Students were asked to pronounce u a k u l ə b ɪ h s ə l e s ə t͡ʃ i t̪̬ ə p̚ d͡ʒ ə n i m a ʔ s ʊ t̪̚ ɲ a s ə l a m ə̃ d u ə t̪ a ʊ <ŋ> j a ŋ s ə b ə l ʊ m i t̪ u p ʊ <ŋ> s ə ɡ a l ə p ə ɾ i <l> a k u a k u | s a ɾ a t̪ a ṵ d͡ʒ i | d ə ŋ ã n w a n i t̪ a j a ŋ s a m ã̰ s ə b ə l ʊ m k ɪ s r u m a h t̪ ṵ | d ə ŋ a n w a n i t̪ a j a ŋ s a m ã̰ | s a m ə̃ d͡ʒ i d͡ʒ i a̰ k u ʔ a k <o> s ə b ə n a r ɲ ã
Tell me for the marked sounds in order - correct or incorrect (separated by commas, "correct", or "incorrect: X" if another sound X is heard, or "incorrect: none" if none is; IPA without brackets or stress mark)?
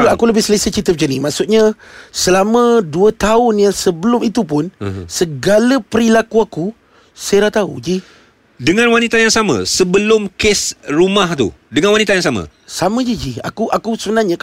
incorrect: n, incorrect: n, correct, incorrect: u